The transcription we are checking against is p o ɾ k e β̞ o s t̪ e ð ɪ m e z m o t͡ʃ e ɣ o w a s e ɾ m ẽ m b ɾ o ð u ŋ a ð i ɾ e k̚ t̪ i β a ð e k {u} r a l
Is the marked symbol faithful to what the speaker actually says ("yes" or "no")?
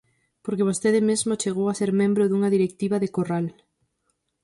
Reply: no